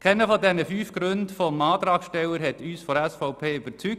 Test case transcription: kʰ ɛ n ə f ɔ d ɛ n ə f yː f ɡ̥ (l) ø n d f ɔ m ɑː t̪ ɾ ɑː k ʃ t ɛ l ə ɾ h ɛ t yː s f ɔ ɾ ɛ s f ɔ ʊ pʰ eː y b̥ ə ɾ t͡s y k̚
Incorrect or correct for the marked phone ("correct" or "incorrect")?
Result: incorrect